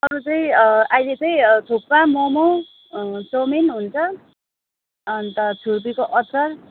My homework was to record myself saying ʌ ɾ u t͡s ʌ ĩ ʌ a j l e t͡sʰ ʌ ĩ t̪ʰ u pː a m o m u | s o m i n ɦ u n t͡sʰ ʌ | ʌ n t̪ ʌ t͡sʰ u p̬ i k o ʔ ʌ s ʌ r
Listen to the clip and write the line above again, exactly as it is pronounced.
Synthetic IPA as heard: ʌ ɾ u t͡s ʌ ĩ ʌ a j l e t͡s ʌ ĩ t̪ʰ u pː a m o m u | s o m i n ɦ u n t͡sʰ ʌ | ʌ n t̪ ʌ t͡sʰ u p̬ i k o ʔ ʌ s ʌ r